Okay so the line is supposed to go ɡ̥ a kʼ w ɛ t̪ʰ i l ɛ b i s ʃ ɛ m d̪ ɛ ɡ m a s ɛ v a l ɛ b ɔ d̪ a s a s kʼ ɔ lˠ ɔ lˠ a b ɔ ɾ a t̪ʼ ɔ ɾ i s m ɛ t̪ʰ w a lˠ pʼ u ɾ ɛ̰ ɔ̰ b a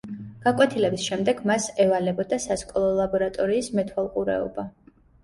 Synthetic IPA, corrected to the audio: ɡ̥ a kʼ w ɛ t̪ʰ i l ɛ b i s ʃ ɛ m d̪ ɛ ɡ m a s ɛ v a l ɛ b ɔ d̪ a s a s kʼ ɔ lˠ ɔ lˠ a b ɔ ɾ a t̪ʼ ɔ ɾ iː s m ɛ t̪ʰ w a lˠ qʼ u ɾ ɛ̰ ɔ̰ b a